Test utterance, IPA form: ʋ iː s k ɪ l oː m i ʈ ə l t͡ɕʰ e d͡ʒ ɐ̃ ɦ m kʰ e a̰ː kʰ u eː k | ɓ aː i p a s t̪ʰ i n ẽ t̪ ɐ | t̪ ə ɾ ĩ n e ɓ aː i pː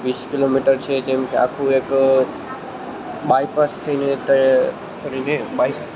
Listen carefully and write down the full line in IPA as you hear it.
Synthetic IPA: ʋ iː s k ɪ l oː m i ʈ ə ɾ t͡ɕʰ e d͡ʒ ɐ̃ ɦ m kʰ e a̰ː kʰ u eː k | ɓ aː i p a s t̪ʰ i n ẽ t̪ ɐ | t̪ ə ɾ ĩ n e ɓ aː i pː